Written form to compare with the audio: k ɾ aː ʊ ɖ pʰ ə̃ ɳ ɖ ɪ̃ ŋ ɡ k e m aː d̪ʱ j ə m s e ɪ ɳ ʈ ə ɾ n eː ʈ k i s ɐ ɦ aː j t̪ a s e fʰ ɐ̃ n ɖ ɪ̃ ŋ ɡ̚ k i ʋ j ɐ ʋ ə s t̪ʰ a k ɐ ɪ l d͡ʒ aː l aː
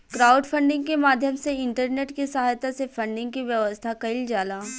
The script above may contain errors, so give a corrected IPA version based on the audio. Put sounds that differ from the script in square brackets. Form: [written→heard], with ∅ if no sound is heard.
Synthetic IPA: k ɾ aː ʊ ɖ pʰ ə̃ ɳ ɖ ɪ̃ ŋ ɡ k e m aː d̪ʱ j ə m s e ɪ ɳ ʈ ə ɾ n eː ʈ k i s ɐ ɦ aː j t̪ a s e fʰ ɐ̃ [n→ɳ] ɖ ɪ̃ ŋ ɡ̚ k i ʋ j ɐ ʋ ə s t̪ʰ a k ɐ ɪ l d͡ʒ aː l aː

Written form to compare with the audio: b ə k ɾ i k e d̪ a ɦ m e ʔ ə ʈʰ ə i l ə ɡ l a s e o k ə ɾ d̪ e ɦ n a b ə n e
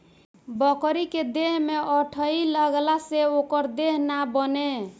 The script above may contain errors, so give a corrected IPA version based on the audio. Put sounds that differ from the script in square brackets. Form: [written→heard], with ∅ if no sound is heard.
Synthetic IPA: b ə k ɾ i k e d̪ [a→e] ɦ m e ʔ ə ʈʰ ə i l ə ɡ l a s e o k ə ɾ d̪ e ɦ n a b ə n e

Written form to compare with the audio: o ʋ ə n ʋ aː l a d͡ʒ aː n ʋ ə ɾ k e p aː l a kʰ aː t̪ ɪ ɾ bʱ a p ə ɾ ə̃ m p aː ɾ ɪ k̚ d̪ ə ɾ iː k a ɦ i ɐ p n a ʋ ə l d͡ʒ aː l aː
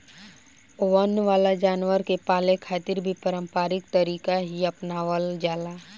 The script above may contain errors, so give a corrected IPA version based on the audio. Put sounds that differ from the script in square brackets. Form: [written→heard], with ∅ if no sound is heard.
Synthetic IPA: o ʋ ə n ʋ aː l a d͡ʒ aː n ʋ ə ɾ k e p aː l [a→e] kʰ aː t̪ ɪ ɾ bʱ [a→i] p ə ɾ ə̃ m p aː ɾ ɪ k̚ [d̪→t̪] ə ɾ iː k a ɦ i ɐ p n a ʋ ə l d͡ʒ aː l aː

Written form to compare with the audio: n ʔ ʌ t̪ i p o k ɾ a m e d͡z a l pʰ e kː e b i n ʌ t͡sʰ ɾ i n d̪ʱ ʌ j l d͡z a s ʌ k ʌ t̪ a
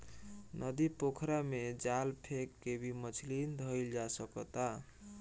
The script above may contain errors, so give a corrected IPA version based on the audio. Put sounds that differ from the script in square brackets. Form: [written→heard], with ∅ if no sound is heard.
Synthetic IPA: n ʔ ʌ [t̪→d̪] i p o [k→kʰ] ɾ a m e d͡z a l pʰ e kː e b i [n→m] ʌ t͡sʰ [ɾ→l] i n d̪ʱ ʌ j l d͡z a s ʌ k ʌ t̪ a

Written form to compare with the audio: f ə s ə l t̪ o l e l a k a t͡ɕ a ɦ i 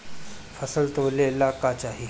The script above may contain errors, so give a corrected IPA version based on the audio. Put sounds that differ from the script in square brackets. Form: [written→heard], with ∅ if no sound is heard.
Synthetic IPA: f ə s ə l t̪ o l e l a k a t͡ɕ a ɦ i

